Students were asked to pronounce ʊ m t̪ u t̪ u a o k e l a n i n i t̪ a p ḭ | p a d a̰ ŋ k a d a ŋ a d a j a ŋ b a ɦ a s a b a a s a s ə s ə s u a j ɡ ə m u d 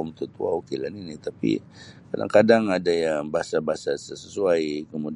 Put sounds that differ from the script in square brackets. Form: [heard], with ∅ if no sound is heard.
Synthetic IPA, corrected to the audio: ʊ m t̪ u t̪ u a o k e l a n i n i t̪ a p ḭ | [k] a d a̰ ŋ k a d a ŋ a d a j a ŋ b a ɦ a s a b a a s a s ə s ə s u a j [k] ə m u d